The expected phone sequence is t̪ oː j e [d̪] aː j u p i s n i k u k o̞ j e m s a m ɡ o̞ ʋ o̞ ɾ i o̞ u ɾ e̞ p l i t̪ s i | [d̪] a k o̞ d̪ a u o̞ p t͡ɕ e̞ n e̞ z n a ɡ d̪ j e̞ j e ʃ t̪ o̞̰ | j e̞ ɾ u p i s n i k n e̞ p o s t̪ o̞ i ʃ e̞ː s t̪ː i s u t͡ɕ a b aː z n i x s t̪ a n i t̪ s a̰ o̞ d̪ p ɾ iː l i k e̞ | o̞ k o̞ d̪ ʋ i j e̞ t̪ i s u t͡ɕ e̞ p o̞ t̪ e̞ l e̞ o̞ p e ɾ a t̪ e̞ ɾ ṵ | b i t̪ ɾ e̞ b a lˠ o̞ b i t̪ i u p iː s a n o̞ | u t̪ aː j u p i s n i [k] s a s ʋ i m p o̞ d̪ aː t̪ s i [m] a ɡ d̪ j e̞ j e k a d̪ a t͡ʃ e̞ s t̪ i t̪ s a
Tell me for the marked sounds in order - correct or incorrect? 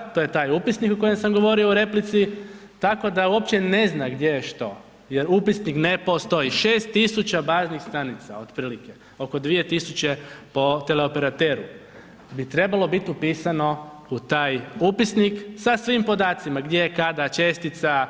incorrect: t̪, incorrect: t̪, correct, correct

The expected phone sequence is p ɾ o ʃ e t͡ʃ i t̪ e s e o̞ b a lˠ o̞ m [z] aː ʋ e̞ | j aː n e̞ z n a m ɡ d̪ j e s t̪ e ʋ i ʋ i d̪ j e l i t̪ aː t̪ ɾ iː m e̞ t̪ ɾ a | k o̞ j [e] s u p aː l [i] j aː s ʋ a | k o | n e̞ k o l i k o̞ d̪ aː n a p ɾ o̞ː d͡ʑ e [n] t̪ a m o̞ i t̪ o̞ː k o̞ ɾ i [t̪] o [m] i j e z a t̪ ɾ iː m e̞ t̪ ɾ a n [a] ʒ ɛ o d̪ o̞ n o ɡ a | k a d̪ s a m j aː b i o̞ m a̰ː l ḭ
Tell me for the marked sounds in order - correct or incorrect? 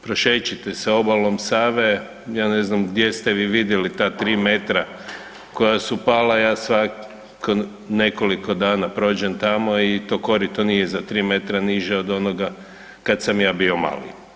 incorrect: s, incorrect: a, incorrect: a, correct, correct, incorrect: n, incorrect: i

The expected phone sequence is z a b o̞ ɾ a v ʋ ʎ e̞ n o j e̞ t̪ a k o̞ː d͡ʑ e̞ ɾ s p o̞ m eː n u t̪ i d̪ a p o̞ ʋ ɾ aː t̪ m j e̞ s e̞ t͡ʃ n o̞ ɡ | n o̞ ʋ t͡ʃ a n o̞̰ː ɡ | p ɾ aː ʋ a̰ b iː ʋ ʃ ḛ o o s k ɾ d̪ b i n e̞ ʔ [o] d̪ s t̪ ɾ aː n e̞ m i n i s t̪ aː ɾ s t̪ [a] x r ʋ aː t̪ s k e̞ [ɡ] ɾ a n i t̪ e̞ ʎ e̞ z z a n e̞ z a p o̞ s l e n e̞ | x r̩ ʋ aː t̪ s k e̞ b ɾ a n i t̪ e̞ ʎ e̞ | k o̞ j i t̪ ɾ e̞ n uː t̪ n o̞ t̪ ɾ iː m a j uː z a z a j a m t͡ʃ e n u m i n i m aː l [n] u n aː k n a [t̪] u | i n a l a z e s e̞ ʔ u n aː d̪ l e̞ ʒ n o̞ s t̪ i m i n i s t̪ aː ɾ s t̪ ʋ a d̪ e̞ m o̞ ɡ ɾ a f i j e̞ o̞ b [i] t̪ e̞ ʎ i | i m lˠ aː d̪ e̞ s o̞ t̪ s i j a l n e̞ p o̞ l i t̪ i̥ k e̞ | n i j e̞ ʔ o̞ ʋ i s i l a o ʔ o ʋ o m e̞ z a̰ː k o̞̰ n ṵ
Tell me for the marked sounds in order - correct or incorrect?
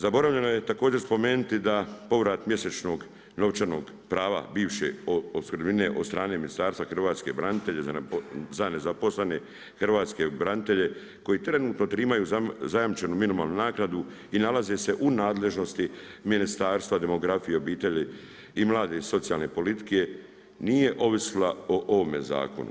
correct, correct, incorrect: b, correct, incorrect: d̪, incorrect: iː

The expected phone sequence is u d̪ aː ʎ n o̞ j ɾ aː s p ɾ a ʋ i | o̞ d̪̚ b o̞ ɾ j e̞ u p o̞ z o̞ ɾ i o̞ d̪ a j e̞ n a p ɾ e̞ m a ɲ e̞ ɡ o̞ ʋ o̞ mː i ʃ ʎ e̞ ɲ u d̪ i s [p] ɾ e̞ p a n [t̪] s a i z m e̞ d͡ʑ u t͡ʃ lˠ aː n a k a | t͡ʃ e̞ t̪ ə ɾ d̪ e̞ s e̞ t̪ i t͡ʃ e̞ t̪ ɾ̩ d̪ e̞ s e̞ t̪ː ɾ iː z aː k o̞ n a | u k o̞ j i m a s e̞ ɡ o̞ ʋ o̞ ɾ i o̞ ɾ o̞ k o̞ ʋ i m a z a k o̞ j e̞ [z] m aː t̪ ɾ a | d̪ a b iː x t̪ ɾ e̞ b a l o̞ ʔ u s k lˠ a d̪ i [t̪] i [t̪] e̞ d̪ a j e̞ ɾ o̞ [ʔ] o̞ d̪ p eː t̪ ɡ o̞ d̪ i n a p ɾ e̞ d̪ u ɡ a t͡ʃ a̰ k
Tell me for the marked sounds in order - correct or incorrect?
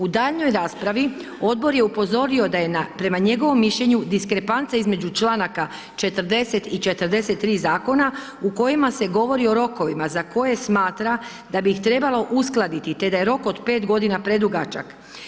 incorrect: k, correct, incorrect: s, correct, correct, incorrect: k

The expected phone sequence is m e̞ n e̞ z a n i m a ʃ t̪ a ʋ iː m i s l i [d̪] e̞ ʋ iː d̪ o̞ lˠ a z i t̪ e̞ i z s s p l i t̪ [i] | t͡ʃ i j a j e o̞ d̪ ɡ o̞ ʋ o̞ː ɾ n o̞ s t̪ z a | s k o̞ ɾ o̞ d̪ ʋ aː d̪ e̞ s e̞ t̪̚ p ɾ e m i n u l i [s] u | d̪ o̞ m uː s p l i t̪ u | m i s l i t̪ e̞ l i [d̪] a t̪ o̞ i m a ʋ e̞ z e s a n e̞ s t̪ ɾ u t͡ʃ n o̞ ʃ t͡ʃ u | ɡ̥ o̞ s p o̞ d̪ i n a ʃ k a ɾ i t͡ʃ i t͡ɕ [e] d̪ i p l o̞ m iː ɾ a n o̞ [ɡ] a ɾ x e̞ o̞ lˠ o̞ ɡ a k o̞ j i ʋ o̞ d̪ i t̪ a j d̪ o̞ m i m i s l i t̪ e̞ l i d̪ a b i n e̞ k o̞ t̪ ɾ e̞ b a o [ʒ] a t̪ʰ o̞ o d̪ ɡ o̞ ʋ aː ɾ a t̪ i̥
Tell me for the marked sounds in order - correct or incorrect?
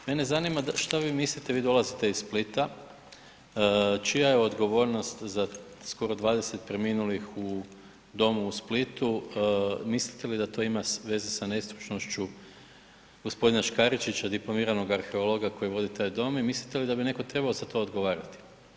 incorrect: t̪, incorrect: a, incorrect: x, correct, incorrect: a, correct, incorrect: z

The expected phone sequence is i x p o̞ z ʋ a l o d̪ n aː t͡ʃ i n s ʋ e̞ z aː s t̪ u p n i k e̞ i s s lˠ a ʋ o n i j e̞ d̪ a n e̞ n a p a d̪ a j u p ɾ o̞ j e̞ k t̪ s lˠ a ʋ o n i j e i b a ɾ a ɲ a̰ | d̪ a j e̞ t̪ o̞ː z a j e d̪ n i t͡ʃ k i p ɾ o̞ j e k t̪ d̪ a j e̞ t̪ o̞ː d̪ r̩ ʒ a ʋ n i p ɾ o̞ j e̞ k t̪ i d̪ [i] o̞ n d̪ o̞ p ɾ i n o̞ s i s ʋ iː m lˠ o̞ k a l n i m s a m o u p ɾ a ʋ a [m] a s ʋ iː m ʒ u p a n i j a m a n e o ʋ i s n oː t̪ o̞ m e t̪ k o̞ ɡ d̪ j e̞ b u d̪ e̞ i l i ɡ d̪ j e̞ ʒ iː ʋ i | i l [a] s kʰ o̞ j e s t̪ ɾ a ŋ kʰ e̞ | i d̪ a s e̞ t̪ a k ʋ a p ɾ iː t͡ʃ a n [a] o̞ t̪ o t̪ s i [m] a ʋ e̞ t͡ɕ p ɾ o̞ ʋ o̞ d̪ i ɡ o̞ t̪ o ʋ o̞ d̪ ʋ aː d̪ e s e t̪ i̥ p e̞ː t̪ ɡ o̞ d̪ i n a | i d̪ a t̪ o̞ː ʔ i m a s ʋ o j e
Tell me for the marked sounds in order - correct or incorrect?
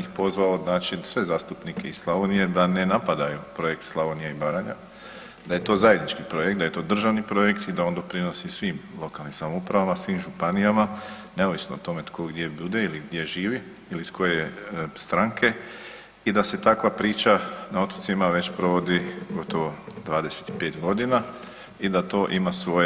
incorrect: a, correct, incorrect: i, correct, correct

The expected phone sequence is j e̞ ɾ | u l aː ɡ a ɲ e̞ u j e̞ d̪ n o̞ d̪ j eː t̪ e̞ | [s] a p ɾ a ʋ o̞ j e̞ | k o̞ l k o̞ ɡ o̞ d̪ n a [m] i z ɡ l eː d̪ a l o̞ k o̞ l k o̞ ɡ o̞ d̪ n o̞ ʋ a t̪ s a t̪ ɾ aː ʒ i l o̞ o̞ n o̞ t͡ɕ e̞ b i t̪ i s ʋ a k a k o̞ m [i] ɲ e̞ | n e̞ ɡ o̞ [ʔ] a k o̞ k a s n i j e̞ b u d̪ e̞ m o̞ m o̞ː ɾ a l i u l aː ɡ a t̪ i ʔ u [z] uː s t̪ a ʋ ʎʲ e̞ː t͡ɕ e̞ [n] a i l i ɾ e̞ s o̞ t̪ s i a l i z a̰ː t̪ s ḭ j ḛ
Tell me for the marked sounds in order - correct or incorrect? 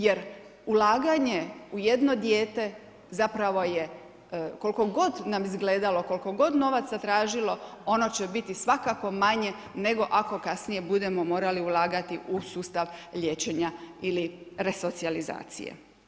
incorrect: z, correct, incorrect: a, correct, incorrect: s, incorrect: ɲ

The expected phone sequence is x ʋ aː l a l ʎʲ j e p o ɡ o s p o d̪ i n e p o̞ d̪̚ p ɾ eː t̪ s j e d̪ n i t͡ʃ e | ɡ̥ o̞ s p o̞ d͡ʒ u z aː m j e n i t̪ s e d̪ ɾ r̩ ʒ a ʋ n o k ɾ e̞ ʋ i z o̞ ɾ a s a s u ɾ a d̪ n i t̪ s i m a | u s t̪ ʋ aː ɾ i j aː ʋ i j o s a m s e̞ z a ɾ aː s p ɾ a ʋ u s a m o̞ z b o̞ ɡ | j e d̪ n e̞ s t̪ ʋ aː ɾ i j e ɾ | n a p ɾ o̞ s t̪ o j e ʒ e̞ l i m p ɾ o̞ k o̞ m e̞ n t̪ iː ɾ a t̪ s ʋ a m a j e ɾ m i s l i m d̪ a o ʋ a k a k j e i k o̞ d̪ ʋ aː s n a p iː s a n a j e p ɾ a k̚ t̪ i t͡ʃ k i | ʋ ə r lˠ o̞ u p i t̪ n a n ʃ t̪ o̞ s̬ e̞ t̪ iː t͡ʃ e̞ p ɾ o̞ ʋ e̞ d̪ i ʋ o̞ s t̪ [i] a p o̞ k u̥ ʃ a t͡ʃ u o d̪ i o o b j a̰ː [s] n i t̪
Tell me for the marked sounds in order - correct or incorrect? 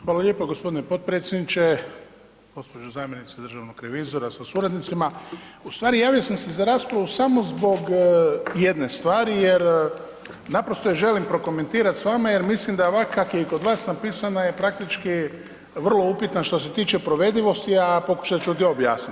correct, correct

